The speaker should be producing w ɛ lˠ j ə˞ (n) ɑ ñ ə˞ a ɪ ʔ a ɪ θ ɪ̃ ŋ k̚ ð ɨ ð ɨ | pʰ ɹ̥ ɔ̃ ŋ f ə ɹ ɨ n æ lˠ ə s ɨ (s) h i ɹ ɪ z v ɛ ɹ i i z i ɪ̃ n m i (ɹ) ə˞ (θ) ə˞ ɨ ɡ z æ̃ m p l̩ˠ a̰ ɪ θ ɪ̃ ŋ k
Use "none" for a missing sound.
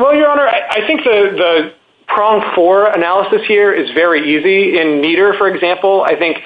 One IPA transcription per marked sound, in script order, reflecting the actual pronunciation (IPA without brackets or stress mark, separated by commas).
none, s, ɾ, f